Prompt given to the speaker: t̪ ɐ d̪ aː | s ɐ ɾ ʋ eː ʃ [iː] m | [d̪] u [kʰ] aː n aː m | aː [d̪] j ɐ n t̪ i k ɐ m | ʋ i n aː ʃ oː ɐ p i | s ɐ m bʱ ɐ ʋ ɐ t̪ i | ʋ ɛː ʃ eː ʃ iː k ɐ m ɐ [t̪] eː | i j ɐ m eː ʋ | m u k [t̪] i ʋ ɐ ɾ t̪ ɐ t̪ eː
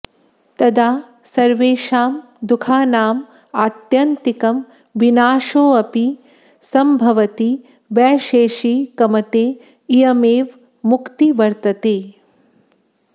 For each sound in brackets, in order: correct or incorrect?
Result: incorrect: aː, correct, correct, incorrect: t̪, correct, correct

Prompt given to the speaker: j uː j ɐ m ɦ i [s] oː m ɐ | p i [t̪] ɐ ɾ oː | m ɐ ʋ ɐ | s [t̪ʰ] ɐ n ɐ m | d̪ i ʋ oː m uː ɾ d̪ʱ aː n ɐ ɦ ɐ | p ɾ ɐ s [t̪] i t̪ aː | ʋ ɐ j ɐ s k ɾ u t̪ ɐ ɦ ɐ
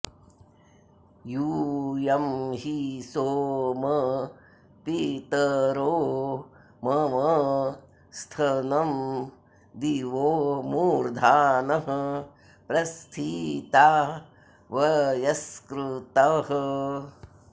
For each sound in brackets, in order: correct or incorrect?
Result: correct, correct, correct, incorrect: t̪ʰ

